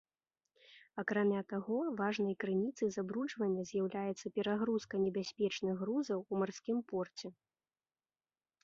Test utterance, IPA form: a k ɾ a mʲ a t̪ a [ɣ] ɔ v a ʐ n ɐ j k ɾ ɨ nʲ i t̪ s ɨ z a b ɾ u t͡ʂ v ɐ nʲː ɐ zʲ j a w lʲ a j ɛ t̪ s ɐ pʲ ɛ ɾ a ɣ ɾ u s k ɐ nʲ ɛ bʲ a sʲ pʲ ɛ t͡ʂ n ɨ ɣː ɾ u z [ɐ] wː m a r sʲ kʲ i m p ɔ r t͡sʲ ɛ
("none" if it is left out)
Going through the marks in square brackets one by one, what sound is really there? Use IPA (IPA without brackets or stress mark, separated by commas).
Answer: ɣ, ɐ